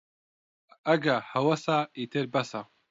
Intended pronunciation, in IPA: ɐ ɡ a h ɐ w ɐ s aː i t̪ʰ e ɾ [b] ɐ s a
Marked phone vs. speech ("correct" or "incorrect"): correct